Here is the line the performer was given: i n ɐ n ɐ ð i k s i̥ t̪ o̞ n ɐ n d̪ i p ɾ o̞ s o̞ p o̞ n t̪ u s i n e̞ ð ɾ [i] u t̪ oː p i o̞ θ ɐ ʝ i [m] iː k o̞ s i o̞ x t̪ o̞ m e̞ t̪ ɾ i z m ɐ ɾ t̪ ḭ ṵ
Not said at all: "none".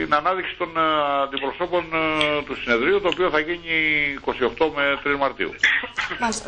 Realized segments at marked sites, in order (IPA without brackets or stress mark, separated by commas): i, ɲ